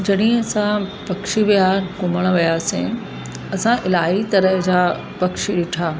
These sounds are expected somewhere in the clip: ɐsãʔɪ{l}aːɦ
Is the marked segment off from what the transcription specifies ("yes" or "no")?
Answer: no